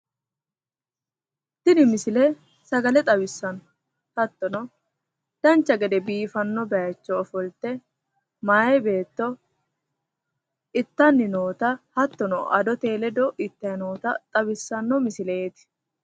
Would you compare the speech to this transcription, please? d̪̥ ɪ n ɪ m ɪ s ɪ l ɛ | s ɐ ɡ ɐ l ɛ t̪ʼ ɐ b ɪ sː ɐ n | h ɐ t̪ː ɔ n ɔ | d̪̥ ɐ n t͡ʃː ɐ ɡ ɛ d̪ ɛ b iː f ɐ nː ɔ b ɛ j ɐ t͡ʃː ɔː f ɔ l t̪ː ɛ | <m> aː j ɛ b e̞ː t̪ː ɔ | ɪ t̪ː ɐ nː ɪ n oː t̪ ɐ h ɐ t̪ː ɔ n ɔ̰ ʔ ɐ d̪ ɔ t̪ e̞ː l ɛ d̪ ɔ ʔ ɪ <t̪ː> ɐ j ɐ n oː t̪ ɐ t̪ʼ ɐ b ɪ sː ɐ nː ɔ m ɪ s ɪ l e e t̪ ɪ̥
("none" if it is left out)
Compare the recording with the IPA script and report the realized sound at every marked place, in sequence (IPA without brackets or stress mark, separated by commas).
m, t̪ː